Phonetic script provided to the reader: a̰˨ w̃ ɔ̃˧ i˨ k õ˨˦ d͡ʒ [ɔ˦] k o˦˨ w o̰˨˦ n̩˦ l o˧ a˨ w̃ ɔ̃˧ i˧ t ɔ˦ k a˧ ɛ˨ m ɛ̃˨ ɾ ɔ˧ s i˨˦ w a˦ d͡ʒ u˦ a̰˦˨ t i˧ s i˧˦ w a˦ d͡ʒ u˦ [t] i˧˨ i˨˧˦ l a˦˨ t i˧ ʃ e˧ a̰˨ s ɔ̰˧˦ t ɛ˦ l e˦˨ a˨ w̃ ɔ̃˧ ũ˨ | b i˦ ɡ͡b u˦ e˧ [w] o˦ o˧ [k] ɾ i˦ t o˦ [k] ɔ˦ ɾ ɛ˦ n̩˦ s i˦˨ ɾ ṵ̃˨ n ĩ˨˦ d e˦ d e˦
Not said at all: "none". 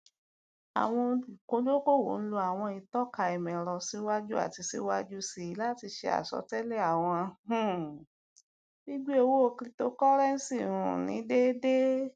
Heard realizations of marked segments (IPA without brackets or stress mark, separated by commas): o˦, s, w, k, k